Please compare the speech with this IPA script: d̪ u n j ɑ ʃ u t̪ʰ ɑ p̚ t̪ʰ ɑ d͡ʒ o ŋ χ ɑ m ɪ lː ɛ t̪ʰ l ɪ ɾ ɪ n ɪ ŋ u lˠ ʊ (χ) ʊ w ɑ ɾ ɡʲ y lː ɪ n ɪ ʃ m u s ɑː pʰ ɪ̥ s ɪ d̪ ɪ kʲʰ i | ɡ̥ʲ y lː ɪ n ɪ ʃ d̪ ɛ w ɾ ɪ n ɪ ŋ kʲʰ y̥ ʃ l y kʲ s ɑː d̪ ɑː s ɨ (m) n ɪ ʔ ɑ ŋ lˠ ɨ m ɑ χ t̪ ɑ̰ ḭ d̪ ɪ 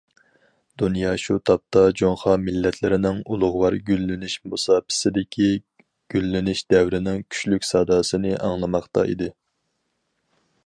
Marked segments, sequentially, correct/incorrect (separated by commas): incorrect, incorrect